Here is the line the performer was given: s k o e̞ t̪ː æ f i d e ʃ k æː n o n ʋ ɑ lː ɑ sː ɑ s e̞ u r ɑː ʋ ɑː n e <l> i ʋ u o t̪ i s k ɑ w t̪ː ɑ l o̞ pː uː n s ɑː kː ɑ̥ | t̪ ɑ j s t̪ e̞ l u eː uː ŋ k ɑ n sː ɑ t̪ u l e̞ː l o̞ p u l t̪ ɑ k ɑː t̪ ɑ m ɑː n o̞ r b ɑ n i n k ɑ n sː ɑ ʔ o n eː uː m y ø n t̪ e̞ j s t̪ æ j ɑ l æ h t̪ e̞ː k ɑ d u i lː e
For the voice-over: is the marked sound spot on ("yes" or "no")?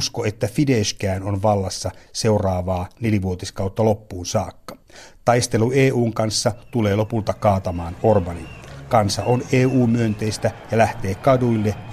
yes